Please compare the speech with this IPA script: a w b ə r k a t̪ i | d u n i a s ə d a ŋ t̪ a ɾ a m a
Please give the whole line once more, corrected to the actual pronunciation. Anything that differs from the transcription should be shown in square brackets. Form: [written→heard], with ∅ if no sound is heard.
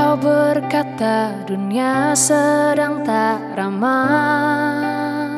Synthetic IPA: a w b ə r k a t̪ [i→a] | d u n i a s ə d a ŋ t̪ a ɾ a m a